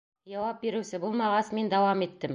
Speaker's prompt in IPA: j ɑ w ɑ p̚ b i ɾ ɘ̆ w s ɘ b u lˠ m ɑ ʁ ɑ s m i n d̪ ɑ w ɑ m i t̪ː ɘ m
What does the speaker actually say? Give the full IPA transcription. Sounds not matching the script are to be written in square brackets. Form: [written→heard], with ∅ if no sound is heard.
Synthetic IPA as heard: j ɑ w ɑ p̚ b i ɾ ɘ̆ w s ɘ b u lˠ m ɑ ʁ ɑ s m i n d̪ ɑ w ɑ m i t̪ː ɘ m